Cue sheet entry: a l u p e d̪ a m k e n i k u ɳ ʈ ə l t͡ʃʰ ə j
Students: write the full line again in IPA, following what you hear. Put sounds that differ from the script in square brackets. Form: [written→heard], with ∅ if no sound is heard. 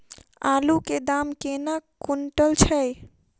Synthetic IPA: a l u [p→k] e d̪ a m k e n [i→a] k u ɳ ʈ ə l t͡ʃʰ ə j

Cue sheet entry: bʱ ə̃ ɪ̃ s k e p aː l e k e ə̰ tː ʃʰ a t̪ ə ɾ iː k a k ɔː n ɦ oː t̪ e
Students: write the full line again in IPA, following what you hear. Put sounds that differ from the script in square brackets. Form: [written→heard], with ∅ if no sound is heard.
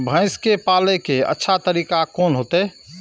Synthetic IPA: bʱ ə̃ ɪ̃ s k e p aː l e k e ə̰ tː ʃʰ a t̪ ə ɾ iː k a k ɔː n ɦ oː t̪ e

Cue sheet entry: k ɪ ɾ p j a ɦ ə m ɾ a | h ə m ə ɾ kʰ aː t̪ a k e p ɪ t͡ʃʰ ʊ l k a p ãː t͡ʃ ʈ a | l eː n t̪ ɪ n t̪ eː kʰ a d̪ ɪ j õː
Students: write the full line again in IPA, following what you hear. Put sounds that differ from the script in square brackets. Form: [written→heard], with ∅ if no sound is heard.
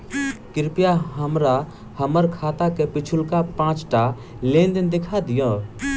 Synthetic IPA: k ɪ ɾ p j a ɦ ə m ɾ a | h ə m ə ɾ kʰ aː t̪ a k e p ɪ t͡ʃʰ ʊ l k a p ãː t͡ʃ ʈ a | l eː n [t̪→d̪] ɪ n [t̪→d̪] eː kʰ a d̪ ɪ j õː

